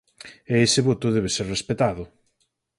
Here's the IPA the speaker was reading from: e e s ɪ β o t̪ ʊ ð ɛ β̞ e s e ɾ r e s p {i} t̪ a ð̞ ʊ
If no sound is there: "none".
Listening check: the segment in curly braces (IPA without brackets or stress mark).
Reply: e